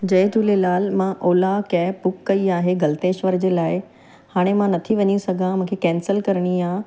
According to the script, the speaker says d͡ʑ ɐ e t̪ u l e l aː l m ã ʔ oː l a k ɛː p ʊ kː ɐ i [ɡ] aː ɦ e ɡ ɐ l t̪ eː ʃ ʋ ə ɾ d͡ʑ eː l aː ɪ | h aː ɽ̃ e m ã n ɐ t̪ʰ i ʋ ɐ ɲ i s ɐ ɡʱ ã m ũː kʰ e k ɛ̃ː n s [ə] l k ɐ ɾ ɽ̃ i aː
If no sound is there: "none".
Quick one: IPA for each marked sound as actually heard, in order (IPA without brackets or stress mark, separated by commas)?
none, ə